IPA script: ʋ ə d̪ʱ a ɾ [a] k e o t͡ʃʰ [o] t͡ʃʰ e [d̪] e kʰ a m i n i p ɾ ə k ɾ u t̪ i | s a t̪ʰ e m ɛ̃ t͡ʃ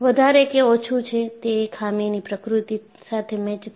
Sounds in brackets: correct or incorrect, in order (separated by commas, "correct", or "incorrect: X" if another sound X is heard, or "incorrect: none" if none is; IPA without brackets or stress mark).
incorrect: e, incorrect: u, incorrect: t̪